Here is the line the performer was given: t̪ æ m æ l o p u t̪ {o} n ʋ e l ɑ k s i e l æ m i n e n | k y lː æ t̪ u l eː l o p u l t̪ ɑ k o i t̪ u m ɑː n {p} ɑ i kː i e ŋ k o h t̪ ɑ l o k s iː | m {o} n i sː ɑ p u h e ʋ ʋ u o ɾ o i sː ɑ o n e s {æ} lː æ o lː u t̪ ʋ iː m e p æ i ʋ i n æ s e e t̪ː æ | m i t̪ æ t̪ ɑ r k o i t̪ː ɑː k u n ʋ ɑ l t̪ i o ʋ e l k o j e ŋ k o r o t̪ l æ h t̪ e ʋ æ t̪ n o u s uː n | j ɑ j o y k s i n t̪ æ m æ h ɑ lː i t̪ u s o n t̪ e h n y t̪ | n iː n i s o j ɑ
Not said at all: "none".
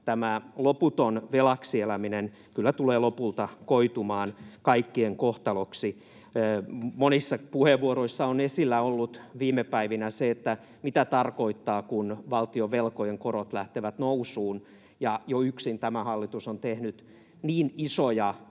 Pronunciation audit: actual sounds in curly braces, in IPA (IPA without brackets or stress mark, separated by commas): o, k, o, i